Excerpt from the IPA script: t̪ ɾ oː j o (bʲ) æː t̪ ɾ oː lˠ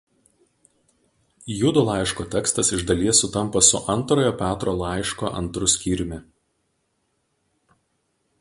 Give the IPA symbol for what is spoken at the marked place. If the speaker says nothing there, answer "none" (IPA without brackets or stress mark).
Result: pʲ